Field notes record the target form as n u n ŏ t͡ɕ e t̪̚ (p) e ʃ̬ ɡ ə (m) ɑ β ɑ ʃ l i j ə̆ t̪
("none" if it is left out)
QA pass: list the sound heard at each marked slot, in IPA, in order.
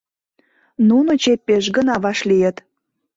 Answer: p, n

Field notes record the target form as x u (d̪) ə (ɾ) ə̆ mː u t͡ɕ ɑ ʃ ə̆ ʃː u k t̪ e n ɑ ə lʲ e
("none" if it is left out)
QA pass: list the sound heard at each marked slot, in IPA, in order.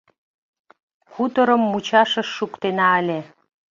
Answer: t̪, ɾ

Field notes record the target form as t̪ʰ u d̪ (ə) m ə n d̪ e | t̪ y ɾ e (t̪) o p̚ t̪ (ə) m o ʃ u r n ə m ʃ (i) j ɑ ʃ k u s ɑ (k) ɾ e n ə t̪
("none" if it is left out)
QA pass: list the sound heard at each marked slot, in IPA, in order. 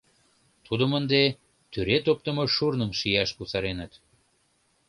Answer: ə, t̪, ə, i, none

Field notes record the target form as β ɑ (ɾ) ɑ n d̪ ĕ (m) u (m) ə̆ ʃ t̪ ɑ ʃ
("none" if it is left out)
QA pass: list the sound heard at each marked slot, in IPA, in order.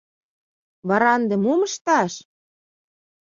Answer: ɾ, m, m

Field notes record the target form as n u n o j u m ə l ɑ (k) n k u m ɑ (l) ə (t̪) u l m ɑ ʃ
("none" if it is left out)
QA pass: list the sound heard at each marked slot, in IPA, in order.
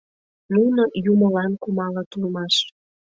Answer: none, l, t̪

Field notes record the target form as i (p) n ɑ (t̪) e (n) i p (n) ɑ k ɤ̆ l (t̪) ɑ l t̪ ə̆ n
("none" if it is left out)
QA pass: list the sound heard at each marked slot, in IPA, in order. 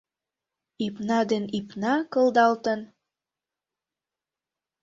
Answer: p, d̪, n, n, d̪

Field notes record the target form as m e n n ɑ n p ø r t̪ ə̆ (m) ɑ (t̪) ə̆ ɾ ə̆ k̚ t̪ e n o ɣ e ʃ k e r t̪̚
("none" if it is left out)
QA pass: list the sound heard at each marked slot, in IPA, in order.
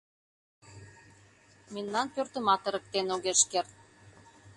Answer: m, t̪

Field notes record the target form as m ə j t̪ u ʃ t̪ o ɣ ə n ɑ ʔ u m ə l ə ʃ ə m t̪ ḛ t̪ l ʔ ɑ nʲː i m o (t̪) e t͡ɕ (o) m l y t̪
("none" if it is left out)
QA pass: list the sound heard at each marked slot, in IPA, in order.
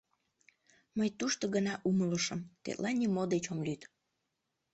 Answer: d̪, o

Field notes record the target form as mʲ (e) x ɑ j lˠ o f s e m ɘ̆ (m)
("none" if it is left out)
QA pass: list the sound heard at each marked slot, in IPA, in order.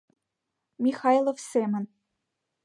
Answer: i, n

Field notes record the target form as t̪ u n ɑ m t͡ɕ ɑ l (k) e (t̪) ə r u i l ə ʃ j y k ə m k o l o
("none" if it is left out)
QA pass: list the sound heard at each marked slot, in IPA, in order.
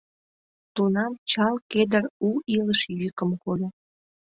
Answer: k, d̪

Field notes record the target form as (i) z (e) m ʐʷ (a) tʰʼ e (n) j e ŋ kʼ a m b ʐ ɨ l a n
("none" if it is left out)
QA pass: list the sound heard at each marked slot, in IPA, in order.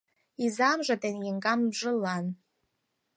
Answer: i, a, a, n

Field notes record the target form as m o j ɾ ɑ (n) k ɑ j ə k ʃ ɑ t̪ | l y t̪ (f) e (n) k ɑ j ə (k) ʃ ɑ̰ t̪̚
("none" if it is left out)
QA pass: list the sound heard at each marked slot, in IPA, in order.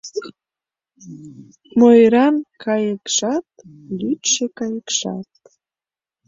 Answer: n, ʃ, none, k

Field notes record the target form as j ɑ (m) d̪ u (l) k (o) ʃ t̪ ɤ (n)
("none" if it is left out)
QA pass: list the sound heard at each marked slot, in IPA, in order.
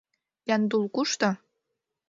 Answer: n, l, u, none

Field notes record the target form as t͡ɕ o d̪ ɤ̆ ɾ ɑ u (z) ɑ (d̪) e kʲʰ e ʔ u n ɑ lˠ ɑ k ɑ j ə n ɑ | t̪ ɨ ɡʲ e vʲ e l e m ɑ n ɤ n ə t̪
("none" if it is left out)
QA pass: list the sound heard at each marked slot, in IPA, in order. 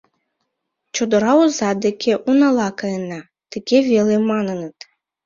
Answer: z, d̪

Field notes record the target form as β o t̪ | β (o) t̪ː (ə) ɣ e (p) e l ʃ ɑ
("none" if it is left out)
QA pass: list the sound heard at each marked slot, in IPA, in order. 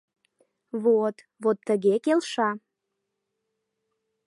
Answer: o, ə, k

